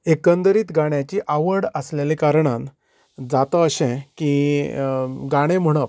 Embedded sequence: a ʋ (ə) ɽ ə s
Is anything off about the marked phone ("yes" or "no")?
no